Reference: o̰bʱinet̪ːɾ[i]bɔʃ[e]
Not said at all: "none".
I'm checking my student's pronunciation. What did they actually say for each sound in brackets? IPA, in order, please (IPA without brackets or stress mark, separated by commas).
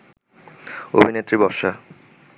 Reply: i, a